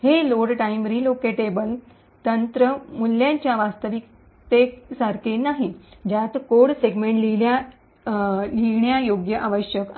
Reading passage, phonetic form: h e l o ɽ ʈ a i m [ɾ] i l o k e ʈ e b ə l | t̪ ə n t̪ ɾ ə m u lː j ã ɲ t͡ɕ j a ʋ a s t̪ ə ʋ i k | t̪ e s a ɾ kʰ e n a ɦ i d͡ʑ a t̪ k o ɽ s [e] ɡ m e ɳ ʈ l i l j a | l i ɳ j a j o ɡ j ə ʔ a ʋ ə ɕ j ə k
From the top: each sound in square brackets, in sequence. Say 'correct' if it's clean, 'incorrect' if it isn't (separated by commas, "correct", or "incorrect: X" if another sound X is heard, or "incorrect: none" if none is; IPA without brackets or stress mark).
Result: correct, correct